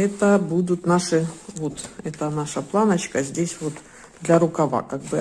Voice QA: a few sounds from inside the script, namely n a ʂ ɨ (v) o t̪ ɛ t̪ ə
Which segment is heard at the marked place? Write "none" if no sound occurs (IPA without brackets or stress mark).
v